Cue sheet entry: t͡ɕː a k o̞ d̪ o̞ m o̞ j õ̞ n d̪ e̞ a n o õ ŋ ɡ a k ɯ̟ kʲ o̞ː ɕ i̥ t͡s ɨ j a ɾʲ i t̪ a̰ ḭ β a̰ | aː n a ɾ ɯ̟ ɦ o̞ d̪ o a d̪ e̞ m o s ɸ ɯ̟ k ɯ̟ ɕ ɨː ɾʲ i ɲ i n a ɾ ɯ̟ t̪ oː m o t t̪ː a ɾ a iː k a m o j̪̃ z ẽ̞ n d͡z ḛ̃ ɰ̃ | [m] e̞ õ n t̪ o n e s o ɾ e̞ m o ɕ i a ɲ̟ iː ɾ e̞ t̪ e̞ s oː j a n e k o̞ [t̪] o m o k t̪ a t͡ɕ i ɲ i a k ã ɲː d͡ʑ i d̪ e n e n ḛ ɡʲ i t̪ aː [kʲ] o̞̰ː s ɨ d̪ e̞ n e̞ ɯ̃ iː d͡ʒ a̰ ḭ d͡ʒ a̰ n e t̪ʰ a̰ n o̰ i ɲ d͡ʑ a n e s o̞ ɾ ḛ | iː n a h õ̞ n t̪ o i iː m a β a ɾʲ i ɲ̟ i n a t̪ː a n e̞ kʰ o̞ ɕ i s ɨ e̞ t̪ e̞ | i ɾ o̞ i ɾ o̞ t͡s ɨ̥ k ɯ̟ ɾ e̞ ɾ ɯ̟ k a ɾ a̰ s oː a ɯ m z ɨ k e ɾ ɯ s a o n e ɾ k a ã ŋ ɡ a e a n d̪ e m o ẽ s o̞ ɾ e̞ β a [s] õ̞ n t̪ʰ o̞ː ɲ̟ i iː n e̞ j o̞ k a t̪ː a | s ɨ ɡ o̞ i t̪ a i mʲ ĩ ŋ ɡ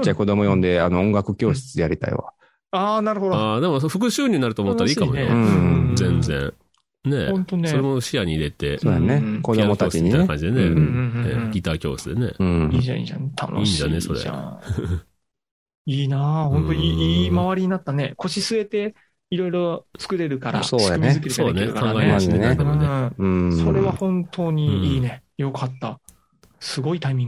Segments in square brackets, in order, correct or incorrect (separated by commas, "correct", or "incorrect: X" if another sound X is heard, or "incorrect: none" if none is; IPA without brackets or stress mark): incorrect: n, incorrect: d̪, correct, incorrect: h